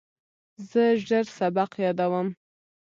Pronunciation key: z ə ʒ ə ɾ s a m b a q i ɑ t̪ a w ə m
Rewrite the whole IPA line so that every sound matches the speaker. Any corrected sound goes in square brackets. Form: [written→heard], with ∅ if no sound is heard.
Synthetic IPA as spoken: z ə ʒ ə ɾ s a [m→∅] b a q [i→j] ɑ [t̪→d̪] a w ə m